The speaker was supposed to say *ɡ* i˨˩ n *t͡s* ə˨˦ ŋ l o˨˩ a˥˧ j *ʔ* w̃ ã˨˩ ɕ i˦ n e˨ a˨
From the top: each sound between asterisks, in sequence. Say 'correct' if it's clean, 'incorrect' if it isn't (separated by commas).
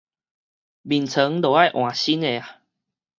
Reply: incorrect, incorrect, correct